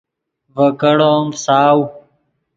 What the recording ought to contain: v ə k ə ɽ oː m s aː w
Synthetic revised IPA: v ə k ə ɽ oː m s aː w